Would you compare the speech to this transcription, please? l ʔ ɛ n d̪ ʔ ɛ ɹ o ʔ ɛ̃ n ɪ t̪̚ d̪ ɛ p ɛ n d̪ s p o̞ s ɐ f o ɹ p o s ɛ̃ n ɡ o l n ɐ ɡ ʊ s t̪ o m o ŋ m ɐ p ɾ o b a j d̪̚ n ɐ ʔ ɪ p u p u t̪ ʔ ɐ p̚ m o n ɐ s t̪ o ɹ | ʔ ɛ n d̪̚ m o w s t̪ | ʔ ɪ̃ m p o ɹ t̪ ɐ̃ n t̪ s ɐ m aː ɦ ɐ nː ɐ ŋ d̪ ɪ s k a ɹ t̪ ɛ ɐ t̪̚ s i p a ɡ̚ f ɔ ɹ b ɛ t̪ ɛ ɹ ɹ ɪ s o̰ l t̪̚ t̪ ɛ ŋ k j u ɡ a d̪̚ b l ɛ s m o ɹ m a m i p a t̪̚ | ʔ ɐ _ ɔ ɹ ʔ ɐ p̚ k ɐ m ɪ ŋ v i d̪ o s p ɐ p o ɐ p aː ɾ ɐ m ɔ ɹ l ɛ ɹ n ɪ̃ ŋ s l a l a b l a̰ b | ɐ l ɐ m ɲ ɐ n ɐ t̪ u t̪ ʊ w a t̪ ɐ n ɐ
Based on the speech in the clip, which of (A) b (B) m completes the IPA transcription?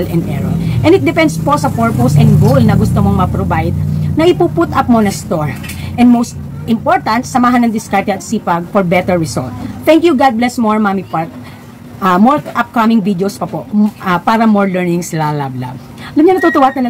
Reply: B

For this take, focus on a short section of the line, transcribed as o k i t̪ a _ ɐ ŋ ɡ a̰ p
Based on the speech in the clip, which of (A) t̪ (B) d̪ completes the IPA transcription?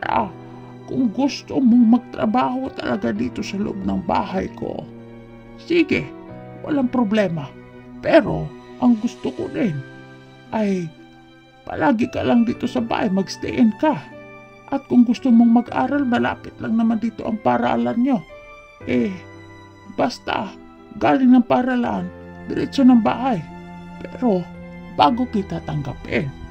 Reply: A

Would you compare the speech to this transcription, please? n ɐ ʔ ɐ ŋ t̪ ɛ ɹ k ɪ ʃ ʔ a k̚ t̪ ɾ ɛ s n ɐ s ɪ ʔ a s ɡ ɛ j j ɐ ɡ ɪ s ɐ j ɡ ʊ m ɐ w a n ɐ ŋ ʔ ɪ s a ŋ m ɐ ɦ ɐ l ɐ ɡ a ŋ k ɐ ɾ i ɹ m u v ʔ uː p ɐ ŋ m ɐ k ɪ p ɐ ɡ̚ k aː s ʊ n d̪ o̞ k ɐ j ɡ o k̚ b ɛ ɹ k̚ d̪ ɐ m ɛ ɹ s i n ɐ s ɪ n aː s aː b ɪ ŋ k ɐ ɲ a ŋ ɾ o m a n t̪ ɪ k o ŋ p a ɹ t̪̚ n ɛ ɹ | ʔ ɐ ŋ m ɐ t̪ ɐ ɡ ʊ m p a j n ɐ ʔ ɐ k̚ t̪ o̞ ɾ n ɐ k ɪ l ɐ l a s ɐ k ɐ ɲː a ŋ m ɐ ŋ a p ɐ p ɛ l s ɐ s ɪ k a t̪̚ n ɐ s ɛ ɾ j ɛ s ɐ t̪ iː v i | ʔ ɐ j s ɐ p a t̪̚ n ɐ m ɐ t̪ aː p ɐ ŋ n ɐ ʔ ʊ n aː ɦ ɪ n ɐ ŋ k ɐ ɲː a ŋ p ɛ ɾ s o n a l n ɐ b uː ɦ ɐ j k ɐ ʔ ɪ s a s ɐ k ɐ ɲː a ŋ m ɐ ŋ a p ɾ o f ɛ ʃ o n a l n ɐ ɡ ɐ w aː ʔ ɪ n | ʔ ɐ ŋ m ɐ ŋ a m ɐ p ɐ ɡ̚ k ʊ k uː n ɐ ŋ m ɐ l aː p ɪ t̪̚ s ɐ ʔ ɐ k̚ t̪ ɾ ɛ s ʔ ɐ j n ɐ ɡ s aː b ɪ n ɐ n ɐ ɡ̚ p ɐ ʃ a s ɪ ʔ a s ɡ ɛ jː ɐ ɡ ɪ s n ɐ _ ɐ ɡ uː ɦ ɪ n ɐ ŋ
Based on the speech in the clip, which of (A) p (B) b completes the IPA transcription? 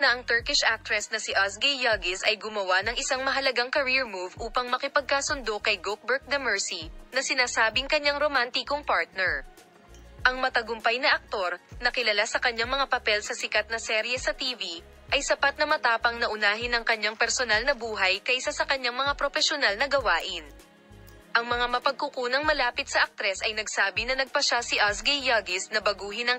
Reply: B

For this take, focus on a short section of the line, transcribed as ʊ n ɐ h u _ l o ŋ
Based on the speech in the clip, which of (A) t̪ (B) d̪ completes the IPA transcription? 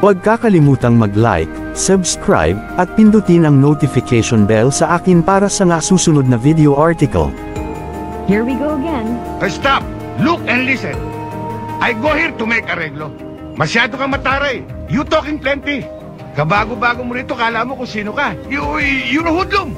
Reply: B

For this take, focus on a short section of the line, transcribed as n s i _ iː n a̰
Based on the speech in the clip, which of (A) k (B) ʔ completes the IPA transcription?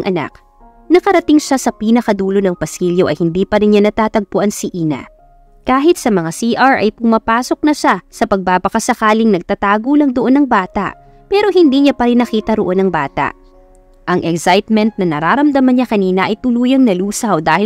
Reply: B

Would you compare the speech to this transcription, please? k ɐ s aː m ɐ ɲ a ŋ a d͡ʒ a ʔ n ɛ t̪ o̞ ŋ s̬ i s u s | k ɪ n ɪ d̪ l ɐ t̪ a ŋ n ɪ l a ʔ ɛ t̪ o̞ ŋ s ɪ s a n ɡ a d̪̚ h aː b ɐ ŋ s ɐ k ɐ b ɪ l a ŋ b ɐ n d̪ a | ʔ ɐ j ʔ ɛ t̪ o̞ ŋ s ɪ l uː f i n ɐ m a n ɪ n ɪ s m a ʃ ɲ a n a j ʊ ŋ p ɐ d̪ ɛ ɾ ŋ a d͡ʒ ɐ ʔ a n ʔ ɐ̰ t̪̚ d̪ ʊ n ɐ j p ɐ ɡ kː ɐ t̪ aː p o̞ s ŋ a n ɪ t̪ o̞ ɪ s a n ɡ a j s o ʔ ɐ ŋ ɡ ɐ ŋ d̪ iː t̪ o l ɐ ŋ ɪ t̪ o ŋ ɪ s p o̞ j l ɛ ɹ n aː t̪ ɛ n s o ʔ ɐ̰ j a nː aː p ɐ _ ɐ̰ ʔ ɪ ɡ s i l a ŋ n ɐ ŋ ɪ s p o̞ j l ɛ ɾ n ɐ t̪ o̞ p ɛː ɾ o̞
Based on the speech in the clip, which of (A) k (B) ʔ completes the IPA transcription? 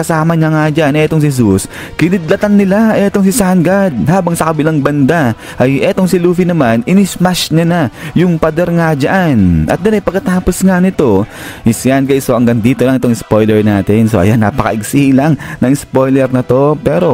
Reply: A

